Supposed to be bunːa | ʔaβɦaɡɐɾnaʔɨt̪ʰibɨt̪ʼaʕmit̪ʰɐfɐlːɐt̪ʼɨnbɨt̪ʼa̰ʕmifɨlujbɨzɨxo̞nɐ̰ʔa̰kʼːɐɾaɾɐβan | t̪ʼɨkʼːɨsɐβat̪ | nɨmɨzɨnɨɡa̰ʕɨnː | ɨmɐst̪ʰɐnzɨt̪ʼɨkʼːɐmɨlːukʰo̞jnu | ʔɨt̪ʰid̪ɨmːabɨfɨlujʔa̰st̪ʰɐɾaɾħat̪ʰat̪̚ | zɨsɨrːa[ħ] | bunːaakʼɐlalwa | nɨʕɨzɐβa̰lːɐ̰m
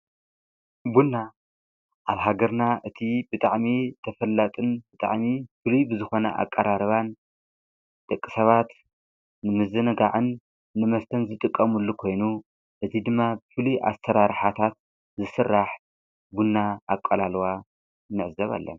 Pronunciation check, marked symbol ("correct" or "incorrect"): correct